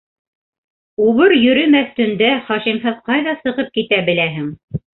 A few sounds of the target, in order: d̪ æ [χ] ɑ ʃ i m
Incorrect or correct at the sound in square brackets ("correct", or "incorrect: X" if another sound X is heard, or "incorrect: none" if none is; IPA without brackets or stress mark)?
correct